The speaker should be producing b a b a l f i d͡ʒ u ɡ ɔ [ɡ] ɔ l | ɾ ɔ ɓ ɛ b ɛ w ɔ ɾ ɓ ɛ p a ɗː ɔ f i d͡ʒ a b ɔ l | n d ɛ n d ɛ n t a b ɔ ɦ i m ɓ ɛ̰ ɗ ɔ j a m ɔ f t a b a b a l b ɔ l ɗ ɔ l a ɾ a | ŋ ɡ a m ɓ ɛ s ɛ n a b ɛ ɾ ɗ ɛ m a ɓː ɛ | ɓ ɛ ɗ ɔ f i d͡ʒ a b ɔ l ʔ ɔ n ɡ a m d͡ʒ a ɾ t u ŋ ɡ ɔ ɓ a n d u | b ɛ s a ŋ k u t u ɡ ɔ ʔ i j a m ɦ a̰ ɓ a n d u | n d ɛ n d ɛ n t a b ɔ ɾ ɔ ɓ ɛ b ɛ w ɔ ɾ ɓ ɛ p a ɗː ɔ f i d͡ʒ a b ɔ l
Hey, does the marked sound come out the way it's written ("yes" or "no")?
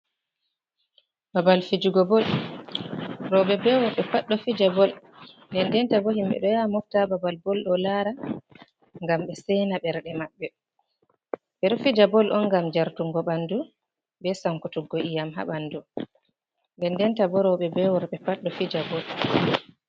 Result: no